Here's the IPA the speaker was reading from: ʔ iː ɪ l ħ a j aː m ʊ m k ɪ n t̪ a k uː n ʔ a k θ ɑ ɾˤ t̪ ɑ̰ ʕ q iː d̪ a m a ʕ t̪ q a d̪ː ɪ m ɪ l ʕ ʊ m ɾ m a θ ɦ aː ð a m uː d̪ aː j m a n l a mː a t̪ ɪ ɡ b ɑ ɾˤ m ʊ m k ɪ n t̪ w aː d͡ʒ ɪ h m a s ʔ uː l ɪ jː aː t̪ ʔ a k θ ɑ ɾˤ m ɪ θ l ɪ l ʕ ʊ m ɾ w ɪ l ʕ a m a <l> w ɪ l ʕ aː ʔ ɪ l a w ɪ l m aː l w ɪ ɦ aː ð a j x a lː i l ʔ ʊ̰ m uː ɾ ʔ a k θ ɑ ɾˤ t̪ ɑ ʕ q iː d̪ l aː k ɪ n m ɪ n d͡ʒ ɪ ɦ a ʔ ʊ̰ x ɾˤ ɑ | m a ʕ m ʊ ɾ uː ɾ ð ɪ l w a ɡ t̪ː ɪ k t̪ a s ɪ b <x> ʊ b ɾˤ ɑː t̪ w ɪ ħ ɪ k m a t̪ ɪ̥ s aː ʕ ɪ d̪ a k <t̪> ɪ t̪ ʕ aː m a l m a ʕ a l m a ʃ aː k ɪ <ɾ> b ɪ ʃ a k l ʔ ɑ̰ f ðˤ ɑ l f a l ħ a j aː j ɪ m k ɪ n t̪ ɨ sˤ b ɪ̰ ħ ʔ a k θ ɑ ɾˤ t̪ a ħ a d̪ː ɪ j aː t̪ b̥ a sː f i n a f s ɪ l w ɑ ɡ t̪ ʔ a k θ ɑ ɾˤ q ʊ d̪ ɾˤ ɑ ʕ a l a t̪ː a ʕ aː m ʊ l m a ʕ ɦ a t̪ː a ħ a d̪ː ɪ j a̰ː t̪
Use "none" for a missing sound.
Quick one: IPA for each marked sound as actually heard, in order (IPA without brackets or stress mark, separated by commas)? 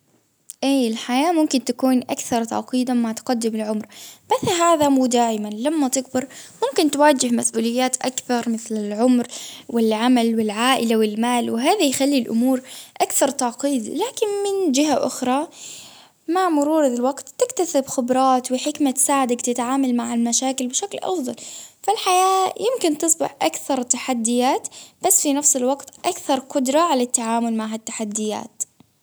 l, x, t̪, l